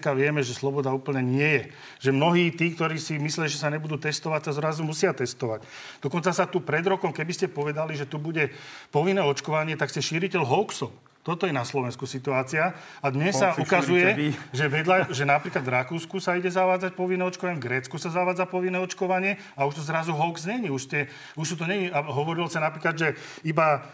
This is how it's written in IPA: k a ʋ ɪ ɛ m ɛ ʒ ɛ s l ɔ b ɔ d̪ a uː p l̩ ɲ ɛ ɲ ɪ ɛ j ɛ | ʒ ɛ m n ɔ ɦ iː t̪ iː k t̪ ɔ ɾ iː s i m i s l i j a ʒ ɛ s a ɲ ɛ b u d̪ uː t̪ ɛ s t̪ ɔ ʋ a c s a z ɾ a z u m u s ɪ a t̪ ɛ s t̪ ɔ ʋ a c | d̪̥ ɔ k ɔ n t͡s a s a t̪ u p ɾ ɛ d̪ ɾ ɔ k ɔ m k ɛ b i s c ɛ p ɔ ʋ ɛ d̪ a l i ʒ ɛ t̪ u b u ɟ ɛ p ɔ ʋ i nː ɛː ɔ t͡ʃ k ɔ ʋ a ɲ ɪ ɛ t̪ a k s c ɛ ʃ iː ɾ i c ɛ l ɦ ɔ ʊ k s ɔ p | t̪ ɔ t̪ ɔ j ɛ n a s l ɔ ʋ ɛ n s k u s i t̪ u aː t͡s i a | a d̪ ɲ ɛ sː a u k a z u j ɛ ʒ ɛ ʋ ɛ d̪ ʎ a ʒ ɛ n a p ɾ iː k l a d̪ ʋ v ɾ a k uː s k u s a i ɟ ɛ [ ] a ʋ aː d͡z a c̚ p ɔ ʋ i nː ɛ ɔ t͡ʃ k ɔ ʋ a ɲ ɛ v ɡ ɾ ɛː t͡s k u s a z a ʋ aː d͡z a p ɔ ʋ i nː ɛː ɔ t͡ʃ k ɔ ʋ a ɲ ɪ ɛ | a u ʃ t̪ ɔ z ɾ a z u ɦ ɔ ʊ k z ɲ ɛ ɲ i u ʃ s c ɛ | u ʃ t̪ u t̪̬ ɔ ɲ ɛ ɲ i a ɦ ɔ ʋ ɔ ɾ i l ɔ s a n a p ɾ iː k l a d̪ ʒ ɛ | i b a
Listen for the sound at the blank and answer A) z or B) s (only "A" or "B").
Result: A